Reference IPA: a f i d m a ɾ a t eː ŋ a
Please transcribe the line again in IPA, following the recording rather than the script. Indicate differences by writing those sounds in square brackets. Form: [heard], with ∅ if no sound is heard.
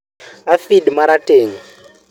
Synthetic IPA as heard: a f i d m a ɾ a t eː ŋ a